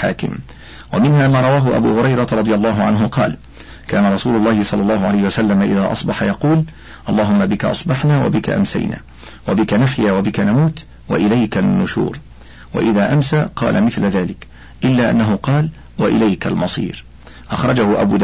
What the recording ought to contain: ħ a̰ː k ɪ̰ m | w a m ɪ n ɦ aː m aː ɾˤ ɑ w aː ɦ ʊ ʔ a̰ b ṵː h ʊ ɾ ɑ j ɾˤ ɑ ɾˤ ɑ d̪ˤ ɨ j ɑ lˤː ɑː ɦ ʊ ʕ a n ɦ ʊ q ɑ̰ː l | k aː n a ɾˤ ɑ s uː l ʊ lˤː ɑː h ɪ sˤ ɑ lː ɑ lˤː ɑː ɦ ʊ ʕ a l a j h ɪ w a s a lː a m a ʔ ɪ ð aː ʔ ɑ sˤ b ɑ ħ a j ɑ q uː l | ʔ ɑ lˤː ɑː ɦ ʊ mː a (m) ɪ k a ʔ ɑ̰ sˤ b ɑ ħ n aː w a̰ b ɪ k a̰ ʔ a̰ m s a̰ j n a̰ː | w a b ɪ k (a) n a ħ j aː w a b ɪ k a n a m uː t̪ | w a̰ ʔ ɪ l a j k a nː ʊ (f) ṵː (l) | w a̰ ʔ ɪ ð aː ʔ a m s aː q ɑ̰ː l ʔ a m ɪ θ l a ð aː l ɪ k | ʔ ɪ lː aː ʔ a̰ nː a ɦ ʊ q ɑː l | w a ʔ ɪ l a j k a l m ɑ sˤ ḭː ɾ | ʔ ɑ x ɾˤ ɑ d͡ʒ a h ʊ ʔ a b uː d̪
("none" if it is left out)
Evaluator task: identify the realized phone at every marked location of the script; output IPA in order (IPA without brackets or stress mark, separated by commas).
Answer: b, a, ʃ, ɾ